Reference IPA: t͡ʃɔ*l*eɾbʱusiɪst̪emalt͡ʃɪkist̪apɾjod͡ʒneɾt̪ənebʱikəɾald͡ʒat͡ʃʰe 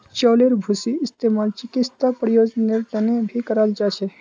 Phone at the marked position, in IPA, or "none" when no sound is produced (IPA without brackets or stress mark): l